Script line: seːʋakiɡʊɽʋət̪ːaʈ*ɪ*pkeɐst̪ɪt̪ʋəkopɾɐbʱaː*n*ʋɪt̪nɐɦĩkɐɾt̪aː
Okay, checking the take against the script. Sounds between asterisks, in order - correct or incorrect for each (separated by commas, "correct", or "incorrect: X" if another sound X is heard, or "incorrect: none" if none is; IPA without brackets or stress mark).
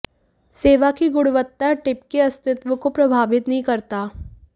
correct, incorrect: none